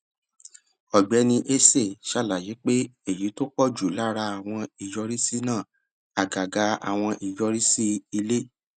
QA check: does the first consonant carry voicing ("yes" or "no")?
yes